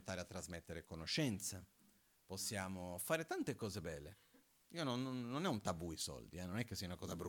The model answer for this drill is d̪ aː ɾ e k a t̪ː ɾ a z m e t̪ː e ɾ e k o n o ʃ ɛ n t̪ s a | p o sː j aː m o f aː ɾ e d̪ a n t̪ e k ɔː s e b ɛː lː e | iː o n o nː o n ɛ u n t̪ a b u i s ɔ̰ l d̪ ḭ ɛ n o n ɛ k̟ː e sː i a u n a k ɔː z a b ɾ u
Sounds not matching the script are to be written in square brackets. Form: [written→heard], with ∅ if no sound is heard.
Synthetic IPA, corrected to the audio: [d̪→t̪] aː ɾ e [k→∅] a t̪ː ɾ a z m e t̪ː e ɾ e k o n o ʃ ɛ n t̪ s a | p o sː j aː m o f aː ɾ e [d̪→t̪] a n t̪ e k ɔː [s→z] e b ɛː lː e | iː o n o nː o n ɛ u n t̪ a b u i s ɔ̰ l d̪ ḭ ɛ n o n ɛ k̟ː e sː i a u n a k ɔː z a b ɾ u